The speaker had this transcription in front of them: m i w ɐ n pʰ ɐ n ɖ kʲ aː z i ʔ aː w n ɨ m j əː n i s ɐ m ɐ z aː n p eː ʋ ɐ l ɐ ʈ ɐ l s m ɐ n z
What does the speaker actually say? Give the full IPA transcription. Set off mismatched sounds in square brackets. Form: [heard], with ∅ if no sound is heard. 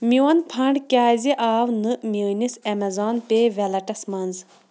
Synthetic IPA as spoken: m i w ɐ n pʰ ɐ [ɳ] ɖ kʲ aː z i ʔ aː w n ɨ m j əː n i s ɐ m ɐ z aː n p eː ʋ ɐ l ɐ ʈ ɐ [∅] s m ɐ n z